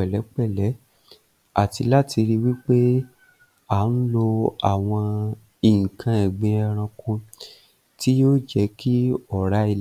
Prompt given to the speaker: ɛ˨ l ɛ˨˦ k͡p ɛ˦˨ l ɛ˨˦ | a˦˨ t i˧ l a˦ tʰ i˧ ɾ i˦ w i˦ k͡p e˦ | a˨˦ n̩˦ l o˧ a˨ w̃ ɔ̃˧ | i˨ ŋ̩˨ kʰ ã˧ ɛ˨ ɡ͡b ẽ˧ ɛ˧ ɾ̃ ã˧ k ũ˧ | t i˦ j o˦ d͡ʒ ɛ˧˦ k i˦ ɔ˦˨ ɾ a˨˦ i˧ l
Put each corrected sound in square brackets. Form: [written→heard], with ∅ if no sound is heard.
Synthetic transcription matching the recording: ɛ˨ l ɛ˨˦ k͡p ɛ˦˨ l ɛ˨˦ | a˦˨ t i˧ l a˦ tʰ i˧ ɾ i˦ w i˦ k͡p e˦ | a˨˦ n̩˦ l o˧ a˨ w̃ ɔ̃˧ | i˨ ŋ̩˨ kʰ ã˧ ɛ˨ ɡ͡b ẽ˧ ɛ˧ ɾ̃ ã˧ k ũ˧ | t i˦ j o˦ d͡ʒ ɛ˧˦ k i˦ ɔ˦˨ ɾ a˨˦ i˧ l

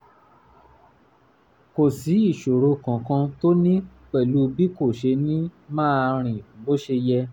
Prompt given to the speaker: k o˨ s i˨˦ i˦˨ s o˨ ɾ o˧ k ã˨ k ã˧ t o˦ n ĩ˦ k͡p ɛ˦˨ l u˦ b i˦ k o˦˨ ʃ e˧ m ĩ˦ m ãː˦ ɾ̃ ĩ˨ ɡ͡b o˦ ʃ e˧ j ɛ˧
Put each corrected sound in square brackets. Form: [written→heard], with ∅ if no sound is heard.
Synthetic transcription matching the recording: k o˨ s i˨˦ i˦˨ [s→ʃ] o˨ ɾ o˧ k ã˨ k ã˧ t o˦ n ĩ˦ k͡p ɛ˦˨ l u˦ b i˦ k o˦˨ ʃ e˧ [m→n] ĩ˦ m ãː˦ ɾ̃ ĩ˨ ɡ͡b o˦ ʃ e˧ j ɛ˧

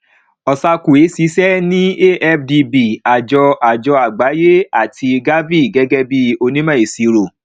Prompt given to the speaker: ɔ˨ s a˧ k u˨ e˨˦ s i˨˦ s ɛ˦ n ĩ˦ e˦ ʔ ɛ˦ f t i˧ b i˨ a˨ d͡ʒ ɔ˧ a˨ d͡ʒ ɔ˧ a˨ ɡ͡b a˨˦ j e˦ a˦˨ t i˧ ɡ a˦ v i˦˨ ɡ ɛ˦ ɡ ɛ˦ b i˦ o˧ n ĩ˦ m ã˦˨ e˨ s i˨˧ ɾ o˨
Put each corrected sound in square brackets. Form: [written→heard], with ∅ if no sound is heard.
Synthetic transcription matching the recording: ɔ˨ s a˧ k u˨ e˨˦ s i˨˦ s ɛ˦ n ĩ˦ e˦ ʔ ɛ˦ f [t→d] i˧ b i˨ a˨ d͡ʒ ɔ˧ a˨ d͡ʒ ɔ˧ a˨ ɡ͡b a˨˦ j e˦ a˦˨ t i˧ ɡ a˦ v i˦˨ ɡ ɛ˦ ɡ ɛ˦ b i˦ o˧ n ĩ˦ m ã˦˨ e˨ s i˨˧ ɾ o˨

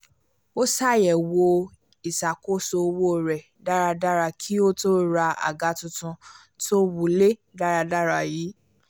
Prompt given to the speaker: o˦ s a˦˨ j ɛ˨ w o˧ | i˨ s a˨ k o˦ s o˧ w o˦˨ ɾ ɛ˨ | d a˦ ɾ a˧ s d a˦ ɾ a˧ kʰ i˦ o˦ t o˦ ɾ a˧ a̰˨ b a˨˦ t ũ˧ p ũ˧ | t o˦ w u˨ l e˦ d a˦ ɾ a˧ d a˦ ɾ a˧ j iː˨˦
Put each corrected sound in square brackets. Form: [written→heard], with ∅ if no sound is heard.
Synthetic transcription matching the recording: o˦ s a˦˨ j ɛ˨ w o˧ | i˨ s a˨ k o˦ s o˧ w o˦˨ ɾ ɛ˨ | d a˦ ɾ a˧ [s→∅] d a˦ ɾ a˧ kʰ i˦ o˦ t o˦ ɾ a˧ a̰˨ [b→ɡ] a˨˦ t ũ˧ [p→t] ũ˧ | t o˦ w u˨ l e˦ d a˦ ɾ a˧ d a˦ ɾ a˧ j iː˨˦

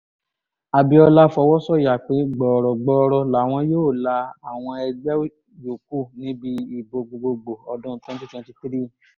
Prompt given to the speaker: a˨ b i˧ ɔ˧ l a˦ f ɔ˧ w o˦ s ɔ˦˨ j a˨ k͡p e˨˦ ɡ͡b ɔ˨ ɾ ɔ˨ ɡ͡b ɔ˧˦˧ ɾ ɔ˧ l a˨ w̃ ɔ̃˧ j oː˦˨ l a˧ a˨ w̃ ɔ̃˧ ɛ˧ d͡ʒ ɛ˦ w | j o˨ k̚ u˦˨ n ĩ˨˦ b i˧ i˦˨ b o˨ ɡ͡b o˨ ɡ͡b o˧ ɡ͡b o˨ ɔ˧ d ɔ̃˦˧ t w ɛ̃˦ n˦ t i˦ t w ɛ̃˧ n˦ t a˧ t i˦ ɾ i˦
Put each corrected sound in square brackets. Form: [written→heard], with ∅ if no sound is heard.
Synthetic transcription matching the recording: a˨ b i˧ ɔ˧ l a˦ f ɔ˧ w [o˦→ɔ˦] s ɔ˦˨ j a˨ k͡p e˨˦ ɡ͡b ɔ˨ ɾ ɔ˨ ɡ͡b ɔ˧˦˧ ɾ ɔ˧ l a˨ w̃ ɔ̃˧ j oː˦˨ l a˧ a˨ w̃ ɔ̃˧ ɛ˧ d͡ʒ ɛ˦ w | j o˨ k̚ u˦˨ n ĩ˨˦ b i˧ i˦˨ b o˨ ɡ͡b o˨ ɡ͡b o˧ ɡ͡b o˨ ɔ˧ d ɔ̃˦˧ t w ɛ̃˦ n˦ t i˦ t w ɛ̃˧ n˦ t [a˧→i˧] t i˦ ɾ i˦

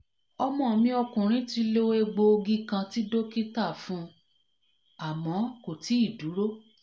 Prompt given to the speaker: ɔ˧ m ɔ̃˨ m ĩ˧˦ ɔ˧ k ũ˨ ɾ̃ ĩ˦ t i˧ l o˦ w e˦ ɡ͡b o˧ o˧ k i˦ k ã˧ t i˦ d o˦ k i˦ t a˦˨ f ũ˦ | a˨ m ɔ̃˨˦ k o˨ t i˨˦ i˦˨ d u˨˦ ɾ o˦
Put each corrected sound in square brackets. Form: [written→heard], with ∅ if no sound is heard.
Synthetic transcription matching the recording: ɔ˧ m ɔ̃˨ m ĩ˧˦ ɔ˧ k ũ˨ ɾ̃ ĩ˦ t i˧ l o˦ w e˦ ɡ͡b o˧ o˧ [k→ɡ] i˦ k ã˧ t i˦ d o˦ k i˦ t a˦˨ f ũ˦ | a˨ m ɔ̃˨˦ k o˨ t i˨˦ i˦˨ d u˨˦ ɾ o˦

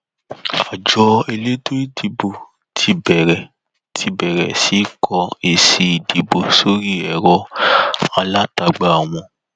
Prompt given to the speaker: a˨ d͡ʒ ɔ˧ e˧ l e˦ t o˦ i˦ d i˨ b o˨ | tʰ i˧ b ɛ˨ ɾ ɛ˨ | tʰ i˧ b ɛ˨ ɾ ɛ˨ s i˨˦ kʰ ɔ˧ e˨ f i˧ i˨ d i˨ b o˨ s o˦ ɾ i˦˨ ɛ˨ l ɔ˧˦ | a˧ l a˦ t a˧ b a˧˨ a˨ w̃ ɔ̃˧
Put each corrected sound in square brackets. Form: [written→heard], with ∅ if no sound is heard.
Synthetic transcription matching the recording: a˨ d͡ʒ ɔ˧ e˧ l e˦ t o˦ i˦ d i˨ b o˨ | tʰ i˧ b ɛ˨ ɾ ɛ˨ | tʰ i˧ b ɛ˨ ɾ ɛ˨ s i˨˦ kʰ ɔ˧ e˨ [f→s] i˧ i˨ d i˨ b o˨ s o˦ ɾ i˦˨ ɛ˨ [l→ɾ] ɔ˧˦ | a˧ l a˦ t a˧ [b→ɡ͡b] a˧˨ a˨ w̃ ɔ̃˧

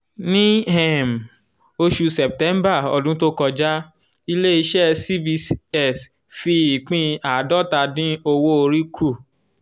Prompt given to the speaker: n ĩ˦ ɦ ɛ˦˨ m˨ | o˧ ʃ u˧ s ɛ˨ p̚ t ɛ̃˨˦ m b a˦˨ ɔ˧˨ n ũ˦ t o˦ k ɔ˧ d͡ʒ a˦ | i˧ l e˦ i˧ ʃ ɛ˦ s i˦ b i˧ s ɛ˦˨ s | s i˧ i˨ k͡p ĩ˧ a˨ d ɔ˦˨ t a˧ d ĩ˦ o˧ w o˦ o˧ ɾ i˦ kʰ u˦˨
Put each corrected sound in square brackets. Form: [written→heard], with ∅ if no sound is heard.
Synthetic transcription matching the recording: n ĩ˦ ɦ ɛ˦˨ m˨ | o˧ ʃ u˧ s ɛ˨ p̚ t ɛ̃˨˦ m b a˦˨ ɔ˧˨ [n→d] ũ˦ t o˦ k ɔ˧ d͡ʒ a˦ | i˧ l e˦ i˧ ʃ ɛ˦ s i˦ b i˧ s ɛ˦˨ s | [s→f] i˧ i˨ k͡p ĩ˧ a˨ d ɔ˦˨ t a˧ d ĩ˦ o˧ w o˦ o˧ ɾ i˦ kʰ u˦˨

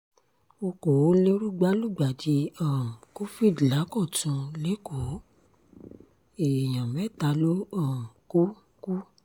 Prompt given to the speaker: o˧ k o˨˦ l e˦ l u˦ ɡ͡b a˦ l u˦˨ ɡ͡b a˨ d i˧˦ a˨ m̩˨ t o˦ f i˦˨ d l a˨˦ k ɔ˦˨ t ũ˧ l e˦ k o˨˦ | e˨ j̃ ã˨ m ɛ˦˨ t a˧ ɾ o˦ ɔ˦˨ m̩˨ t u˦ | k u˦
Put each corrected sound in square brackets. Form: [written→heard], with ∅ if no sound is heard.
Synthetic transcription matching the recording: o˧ k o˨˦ l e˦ [l→ɾ] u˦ ɡ͡b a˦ l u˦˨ ɡ͡b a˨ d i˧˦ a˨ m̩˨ [t→k] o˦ f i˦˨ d l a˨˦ k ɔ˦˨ t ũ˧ l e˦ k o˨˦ | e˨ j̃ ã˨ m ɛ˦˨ t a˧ [ɾ→l] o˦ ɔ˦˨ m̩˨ [t→k] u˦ | k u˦

